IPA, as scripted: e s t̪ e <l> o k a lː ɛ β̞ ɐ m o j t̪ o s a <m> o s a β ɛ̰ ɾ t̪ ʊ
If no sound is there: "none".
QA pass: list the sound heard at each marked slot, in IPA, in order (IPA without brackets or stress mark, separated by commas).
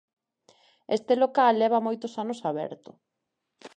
l, n